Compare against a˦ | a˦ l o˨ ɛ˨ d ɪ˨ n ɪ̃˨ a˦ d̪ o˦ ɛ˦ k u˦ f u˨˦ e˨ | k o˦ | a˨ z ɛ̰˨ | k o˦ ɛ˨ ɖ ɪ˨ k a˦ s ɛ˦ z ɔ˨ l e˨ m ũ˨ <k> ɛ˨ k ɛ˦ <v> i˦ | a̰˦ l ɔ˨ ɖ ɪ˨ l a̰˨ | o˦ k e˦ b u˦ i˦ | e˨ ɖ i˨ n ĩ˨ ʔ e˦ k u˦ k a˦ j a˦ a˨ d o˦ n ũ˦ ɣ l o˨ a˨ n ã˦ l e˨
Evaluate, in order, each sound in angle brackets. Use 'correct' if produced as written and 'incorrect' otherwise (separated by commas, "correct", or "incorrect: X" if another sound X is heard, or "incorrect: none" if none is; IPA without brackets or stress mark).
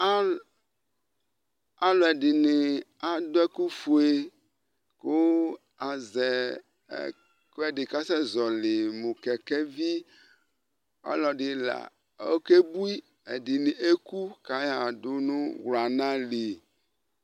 correct, correct